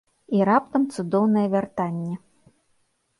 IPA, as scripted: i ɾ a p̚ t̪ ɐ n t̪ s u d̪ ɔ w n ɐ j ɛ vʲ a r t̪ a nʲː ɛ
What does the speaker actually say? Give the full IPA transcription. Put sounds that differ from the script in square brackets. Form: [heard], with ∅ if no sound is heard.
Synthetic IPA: i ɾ a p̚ t̪ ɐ [m] t̪ s u d̪ ɔ w n ɐ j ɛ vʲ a r t̪ a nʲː ɛ